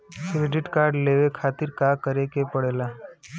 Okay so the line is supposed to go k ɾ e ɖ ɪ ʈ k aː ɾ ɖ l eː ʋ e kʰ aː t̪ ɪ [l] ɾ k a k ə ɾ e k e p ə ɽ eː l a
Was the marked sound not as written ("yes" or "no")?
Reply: yes